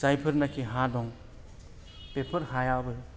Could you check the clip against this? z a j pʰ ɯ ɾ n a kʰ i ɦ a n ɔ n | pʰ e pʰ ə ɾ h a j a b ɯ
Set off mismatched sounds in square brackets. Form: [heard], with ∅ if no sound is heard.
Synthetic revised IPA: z a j pʰ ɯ ɾ n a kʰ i ɦ a [d] ɔ [ŋ] | [p] e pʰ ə ɾ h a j a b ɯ

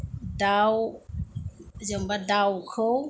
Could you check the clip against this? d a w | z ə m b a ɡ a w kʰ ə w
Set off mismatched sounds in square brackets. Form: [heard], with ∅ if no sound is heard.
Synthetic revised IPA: d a w | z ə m b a [d] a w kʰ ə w

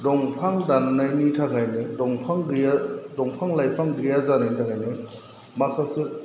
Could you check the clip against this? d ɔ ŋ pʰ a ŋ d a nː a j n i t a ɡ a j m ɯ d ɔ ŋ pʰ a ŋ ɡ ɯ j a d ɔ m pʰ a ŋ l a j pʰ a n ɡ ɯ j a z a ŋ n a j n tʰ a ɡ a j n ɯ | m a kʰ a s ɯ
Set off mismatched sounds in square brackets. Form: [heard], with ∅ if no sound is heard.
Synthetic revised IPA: d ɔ ŋ pʰ a ŋ d a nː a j n i [tʰ] a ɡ a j [n] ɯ d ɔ ŋ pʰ a ŋ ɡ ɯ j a d ɔ [ŋ] pʰ a ŋ l a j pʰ a [ŋ] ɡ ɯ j a z a [∅] n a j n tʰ a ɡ a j n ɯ | m a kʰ a s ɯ

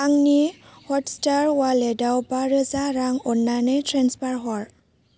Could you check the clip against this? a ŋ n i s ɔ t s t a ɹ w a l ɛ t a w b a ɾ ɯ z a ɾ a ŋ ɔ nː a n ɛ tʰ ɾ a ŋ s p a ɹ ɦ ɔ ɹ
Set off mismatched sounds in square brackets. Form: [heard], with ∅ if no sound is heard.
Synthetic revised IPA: a ŋ n i [h] ɔ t s t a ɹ w a l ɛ [d] a w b a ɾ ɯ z a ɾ a ŋ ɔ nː a n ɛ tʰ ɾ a [n] s p a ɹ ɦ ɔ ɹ

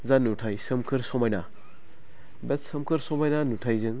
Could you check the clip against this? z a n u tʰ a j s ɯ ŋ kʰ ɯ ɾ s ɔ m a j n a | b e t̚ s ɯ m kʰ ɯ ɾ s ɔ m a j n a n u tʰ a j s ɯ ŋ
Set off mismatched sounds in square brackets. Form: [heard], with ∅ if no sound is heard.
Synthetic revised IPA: z a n u tʰ a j s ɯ [m] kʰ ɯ ɾ s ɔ m a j n a | b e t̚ s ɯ m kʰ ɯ ɾ s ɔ m a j n a n u tʰ a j [z] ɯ ŋ

